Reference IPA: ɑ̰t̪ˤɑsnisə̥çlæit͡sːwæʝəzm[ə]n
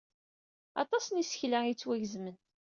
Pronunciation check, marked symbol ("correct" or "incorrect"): correct